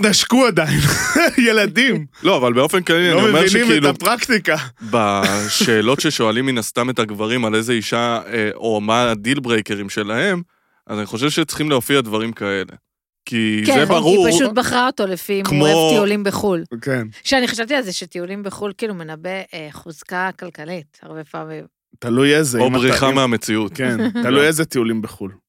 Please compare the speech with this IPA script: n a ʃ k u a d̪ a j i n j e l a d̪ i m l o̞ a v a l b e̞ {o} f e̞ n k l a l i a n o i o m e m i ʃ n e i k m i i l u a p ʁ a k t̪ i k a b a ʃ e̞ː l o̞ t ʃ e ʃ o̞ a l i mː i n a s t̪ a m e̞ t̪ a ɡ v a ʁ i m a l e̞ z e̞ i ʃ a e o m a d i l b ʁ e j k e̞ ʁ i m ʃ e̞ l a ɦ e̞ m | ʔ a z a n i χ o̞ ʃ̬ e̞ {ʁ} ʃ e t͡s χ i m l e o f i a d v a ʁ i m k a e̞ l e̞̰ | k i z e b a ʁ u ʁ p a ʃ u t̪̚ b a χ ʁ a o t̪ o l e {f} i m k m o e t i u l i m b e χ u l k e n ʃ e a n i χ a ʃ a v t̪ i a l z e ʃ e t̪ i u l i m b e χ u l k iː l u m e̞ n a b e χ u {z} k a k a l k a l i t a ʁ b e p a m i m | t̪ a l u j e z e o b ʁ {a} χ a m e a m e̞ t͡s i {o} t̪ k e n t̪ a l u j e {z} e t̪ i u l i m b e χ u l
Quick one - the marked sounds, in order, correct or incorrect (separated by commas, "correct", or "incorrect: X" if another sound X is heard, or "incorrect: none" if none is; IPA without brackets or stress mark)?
correct, incorrect: v, correct, correct, incorrect: i, incorrect: u, correct